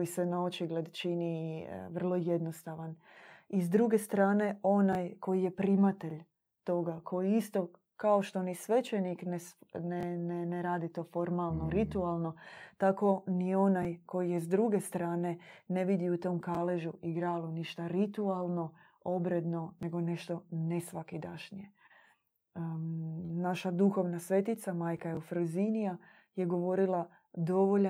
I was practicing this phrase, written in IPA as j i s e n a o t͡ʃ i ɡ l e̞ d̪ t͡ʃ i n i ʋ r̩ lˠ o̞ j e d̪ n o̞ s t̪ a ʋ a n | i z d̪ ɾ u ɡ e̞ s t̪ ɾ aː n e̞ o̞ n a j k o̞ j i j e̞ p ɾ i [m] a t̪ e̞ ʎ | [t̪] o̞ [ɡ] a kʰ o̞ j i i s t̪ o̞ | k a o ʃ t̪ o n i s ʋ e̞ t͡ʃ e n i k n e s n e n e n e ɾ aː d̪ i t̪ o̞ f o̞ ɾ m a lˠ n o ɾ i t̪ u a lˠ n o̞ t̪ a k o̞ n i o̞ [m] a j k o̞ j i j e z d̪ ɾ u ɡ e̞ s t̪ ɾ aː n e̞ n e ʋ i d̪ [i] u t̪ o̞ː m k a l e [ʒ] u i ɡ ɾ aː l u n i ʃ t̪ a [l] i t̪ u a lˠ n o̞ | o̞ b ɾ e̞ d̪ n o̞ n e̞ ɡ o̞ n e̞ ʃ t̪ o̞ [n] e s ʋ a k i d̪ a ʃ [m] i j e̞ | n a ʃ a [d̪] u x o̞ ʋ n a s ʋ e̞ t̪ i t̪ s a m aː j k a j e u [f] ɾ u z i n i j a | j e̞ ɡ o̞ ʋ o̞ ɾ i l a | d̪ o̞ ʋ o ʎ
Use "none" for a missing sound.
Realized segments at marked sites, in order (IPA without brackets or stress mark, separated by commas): m, t̪, ɡ, n, i, ʒ, ɾ, n, n, d̪, f